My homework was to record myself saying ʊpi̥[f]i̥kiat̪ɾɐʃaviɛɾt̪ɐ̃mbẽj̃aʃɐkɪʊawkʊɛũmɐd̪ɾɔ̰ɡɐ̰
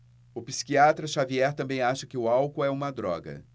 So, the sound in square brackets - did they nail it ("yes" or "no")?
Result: no